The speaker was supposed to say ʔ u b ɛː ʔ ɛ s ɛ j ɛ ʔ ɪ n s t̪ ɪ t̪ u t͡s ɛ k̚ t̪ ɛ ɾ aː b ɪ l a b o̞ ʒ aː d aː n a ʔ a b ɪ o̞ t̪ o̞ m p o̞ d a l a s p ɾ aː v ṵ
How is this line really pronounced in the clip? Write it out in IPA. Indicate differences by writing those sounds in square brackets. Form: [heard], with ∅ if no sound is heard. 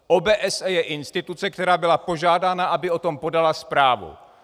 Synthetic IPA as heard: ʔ [o] b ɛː ʔ ɛ s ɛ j ɛ ʔ ɪ n s t̪ ɪ t̪ u t͡s ɛ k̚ t̪ ɛ ɾ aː b ɪ l a [p] o̞ ʒ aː d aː n a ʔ a b ɪ o̞ t̪ o̞ m p o̞ d a l a s p ɾ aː v ṵ